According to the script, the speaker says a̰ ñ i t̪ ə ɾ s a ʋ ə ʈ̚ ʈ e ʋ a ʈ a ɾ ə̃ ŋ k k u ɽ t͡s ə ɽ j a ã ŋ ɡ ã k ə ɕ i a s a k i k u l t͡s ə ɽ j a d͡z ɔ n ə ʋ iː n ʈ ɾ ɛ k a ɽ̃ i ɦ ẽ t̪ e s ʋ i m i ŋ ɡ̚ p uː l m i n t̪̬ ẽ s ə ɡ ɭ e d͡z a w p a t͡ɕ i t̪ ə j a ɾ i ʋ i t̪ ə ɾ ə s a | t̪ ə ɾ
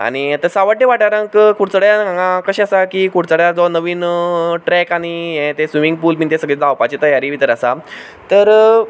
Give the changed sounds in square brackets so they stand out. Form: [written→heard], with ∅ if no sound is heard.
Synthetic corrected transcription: a̰ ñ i t̪ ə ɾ s a ʋ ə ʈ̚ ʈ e ʋ a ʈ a ɾ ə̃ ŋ k k u ɽ t͡s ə ɽ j a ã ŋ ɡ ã k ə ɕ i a s a k i k u [l→ɽ] t͡s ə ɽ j a d͡z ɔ n ə ʋ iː n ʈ ɾ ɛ k a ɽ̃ i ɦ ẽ t̪ e s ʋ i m i ŋ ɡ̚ p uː l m i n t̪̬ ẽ s ə ɡ ɭ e d͡z a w p a t͡ɕ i t̪ ə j a ɾ i ʋ i t̪ ə ɾ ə s a | t̪ ə ɾ